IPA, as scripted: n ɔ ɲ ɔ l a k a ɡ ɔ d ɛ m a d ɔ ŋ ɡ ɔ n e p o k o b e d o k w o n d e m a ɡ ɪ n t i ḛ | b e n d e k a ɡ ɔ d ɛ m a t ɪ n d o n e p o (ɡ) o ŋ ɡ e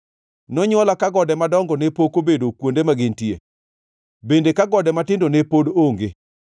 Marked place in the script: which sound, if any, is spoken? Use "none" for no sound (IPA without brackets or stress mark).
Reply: d